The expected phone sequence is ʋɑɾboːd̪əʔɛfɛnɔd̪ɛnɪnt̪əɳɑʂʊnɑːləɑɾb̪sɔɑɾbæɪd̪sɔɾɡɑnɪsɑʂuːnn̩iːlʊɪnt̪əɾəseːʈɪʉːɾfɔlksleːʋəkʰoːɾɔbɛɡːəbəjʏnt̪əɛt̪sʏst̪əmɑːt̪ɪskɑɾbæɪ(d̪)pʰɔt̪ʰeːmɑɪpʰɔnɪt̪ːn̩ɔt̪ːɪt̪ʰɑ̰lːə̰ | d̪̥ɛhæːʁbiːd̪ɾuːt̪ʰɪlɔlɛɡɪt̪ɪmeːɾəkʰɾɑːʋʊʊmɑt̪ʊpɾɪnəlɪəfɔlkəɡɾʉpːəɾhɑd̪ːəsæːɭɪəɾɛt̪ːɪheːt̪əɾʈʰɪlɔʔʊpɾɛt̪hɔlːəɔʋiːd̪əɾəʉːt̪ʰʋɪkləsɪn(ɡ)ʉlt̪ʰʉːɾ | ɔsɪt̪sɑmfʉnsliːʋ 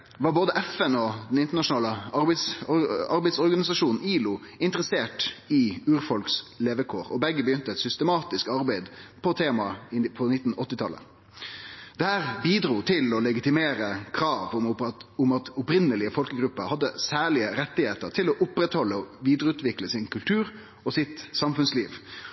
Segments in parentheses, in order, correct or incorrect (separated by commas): correct, incorrect